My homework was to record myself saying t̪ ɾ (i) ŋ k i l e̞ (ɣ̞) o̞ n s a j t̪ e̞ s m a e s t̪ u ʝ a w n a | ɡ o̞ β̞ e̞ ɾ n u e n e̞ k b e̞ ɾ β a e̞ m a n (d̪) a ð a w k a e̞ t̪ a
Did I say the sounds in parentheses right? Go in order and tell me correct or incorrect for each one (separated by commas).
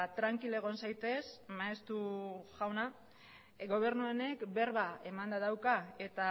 incorrect, correct, correct